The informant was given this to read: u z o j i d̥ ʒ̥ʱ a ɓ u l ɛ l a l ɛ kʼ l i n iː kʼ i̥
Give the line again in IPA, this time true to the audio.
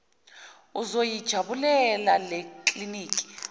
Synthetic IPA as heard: u z o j i d̥ ʒ̥ʱ a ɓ u l ɛ l a l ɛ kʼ l i n iː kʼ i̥